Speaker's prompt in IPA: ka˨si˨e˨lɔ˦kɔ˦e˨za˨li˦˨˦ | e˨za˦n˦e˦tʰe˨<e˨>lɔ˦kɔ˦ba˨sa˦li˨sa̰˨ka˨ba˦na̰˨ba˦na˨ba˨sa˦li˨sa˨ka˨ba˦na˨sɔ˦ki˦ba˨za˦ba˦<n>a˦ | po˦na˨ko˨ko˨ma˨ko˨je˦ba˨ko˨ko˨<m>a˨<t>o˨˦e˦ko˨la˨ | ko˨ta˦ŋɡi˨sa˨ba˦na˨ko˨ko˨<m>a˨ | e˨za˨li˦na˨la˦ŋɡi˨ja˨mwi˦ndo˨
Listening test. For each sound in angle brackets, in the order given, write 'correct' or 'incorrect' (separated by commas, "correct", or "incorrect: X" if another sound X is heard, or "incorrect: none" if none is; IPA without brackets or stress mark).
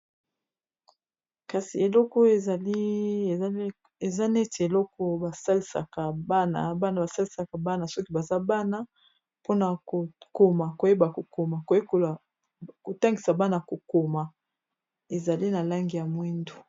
correct, correct, correct, incorrect: k, correct